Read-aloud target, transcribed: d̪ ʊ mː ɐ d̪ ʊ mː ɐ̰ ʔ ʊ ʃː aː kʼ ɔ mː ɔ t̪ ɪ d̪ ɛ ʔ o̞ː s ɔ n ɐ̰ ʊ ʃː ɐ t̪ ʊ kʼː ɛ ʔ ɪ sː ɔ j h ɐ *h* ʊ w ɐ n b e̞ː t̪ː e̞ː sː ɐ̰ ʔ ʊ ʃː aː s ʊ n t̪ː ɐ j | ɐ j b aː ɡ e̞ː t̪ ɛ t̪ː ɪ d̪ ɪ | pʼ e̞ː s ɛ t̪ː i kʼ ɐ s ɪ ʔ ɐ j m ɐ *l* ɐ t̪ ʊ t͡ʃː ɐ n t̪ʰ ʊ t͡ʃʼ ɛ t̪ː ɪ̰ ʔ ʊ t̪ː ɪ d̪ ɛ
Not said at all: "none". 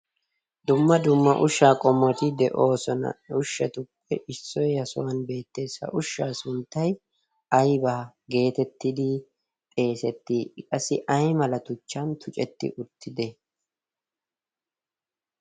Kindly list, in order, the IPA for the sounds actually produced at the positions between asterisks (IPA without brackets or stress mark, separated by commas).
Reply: s, l